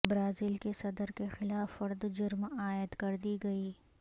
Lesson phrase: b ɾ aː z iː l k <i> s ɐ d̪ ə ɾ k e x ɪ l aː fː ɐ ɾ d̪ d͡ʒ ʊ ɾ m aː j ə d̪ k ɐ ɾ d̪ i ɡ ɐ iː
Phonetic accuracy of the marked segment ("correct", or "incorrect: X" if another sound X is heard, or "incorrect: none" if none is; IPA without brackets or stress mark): incorrect: e